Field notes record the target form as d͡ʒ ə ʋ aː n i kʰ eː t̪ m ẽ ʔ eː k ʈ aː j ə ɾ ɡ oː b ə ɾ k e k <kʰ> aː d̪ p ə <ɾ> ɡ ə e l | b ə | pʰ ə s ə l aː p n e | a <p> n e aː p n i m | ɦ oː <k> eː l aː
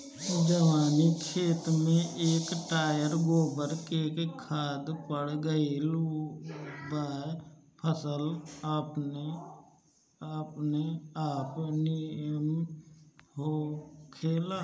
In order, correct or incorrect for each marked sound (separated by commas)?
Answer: correct, incorrect, correct, incorrect